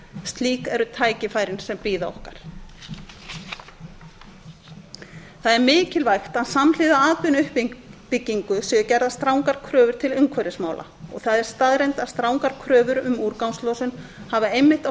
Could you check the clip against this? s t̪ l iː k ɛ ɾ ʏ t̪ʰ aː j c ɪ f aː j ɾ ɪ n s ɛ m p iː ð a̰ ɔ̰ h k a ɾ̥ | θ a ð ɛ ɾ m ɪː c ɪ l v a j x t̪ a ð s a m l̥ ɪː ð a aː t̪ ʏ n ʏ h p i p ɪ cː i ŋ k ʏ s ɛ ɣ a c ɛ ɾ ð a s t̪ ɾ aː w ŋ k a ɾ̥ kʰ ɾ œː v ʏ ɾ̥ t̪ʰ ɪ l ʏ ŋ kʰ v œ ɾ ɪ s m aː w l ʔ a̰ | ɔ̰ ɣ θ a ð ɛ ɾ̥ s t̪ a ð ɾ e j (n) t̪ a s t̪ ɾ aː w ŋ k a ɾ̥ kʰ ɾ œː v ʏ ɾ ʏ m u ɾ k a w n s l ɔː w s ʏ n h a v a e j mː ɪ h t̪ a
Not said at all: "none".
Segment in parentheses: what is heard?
n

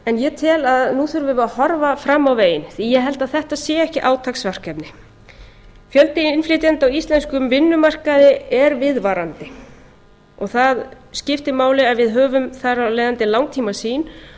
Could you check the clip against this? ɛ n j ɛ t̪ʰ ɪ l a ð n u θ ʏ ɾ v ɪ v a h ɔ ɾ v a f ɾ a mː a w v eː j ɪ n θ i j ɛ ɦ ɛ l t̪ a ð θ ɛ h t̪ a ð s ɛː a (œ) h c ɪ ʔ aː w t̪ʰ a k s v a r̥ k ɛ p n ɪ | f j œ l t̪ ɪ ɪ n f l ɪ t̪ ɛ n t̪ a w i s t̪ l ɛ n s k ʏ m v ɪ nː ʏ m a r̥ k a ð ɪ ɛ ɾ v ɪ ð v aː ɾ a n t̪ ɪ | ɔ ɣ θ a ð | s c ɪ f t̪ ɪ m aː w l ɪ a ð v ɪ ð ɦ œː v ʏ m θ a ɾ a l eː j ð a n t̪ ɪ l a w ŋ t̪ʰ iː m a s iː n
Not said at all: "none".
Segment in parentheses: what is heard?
ɛ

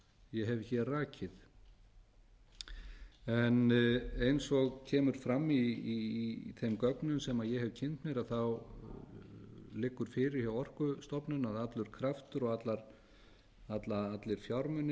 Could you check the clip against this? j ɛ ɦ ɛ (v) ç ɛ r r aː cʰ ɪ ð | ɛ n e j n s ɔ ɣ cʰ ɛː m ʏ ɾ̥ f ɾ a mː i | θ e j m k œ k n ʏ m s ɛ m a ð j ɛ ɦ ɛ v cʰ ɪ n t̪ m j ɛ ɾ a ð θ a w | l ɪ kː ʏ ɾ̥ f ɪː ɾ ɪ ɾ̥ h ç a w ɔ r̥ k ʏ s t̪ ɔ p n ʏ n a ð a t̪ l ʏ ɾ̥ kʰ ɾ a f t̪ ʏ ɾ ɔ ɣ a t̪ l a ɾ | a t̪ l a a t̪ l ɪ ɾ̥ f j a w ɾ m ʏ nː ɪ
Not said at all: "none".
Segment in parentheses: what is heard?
v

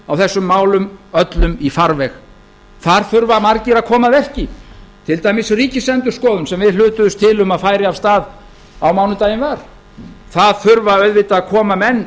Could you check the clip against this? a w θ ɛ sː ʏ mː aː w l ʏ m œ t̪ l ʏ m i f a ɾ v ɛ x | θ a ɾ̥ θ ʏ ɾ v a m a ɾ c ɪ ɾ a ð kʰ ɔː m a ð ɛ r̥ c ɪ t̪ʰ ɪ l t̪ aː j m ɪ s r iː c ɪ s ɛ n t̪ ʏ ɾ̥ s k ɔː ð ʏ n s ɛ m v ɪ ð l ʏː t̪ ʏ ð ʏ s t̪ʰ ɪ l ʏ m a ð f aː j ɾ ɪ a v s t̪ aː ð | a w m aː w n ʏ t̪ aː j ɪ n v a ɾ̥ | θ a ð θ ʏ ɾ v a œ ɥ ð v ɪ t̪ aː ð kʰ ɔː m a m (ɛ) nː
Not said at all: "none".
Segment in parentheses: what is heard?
ɛ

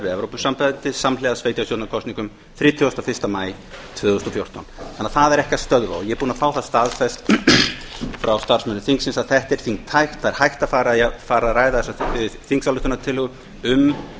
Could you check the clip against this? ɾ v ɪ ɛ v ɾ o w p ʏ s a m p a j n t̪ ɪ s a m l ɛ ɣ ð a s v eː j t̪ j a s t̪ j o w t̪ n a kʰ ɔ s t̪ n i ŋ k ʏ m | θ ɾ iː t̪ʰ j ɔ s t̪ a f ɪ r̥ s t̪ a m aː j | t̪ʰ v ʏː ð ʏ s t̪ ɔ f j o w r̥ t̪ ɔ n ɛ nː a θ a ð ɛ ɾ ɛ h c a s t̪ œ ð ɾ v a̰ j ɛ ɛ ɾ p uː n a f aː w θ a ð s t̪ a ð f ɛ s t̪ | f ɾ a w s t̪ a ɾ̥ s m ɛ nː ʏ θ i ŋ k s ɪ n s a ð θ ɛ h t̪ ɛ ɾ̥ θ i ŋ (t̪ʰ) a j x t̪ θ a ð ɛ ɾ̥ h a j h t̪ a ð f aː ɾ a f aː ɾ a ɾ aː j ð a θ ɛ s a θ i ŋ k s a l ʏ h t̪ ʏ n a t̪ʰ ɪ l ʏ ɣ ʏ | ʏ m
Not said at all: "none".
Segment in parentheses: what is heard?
t̪ʰ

